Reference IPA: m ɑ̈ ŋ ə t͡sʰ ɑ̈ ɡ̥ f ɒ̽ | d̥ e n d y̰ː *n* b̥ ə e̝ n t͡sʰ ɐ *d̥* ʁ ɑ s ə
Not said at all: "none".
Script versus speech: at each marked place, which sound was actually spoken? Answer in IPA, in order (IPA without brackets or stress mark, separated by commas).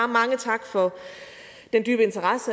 none, none